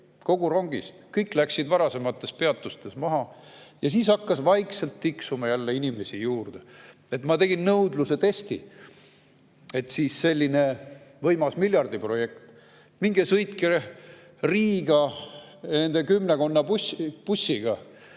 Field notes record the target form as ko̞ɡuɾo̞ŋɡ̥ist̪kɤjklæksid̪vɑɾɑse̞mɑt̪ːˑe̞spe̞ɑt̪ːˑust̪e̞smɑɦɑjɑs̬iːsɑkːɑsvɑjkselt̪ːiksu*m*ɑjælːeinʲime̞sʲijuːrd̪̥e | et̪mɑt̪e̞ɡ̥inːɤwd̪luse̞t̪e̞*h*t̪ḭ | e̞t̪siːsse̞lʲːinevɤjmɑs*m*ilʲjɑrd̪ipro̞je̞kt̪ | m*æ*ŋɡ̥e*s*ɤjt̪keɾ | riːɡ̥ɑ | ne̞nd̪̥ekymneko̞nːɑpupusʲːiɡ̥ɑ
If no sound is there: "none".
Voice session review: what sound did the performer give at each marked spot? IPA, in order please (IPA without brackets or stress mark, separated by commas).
m, s, m, i, s